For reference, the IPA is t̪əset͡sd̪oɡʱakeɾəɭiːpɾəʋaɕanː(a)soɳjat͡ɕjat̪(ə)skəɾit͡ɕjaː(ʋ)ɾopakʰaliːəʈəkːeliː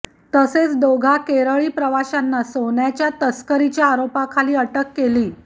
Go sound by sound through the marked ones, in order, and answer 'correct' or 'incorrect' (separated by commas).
correct, correct, incorrect